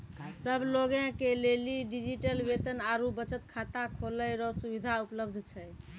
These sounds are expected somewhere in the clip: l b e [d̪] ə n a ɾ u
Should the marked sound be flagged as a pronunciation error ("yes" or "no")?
yes